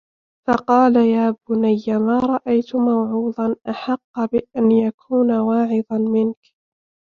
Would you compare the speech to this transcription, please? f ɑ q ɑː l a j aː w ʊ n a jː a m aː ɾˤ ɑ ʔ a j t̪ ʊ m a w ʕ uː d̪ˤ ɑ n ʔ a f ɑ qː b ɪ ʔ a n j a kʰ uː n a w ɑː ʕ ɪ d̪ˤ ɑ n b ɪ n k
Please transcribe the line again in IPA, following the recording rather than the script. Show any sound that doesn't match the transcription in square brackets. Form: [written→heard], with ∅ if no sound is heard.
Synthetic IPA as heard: f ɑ q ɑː l a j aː [w→b] ʊ n a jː a m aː ɾˤ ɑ ʔ a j t̪ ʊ m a w ʕ uː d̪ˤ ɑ n ʔ a [f→ħ] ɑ qː b ɪ ʔ a n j a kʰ uː n a w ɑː ʕ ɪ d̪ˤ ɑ n [b→m] ɪ n k